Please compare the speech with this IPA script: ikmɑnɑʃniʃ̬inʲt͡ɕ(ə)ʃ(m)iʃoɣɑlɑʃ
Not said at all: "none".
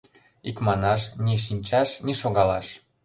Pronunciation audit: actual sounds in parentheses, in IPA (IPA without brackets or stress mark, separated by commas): ɑ, n